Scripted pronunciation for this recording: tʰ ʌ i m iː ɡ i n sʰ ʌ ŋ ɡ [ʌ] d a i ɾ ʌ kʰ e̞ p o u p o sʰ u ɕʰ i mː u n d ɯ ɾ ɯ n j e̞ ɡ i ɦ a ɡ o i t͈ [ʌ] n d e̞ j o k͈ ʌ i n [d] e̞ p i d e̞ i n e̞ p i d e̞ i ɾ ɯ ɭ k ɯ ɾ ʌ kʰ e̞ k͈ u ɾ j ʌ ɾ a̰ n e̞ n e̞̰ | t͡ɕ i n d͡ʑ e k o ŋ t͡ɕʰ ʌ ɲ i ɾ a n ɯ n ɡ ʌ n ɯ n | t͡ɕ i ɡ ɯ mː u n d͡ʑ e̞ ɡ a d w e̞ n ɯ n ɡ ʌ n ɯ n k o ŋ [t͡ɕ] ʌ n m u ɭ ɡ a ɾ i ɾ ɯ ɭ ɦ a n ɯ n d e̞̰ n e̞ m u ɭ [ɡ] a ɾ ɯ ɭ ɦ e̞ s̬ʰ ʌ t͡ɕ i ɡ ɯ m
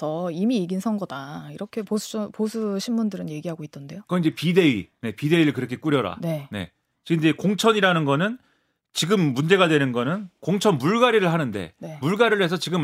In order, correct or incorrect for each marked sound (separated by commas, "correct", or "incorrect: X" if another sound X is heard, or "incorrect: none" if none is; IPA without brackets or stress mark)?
correct, correct, incorrect: d͡ʑ, incorrect: t͡ɕʰ, correct